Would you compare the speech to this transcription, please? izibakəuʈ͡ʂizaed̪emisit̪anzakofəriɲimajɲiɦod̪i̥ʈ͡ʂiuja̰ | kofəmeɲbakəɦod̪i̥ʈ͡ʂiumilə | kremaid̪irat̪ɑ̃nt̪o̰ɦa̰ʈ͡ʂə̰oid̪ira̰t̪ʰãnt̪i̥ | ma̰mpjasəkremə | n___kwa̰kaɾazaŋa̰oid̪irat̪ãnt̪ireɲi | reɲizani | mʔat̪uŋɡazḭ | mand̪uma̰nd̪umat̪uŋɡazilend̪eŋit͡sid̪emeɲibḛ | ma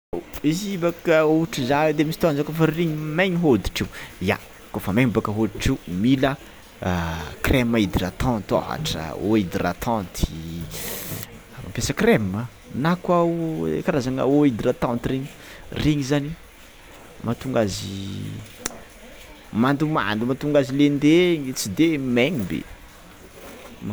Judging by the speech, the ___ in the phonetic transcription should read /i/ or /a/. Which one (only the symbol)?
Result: a